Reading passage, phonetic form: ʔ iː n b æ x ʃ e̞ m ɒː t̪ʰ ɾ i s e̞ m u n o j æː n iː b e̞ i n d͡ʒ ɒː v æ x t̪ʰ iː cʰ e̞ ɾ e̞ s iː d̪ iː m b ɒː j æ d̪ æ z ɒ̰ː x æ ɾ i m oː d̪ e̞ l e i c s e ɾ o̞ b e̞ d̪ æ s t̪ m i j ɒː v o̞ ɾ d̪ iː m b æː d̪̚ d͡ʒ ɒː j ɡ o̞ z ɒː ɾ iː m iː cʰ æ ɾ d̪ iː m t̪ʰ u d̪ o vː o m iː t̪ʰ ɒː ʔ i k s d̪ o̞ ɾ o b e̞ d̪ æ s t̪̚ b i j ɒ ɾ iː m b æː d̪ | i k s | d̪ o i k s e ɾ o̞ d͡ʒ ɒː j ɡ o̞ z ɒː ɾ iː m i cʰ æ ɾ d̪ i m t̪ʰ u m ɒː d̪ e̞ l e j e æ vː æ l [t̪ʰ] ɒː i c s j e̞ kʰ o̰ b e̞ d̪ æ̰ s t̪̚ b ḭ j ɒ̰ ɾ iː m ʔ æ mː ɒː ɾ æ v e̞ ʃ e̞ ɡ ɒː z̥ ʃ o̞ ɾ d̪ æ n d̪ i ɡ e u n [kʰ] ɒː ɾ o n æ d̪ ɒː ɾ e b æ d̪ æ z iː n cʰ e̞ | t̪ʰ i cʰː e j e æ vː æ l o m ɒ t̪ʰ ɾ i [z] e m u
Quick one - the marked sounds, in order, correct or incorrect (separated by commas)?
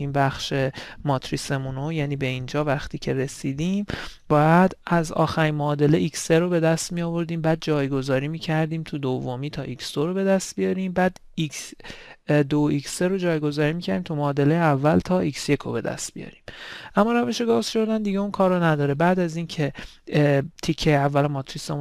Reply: correct, correct, incorrect